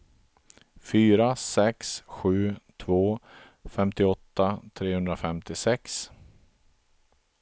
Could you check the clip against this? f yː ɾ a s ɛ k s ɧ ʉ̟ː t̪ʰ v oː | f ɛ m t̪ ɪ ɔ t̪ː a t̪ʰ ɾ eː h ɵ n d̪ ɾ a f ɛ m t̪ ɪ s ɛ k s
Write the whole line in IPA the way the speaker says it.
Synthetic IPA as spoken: f yː ɾ a s ɛ k s ɧ ʉ̟ː t̪ʰ v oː | f ɛ m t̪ ɪ ɔ t̪ː a t̪ʰ ɾ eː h ɵ n d̪ ɾ a f ɛ m t̪ ɪ s ɛ k s